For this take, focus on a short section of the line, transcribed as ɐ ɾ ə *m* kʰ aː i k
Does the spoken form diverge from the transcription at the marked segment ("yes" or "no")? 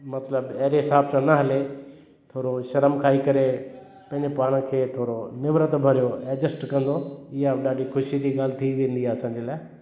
no